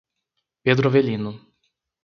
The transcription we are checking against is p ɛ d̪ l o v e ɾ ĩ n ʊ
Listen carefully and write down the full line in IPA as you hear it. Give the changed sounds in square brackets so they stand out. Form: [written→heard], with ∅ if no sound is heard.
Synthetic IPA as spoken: p [ɛ→e] d̪ [l→ɾ] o v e [ɾ→l] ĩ n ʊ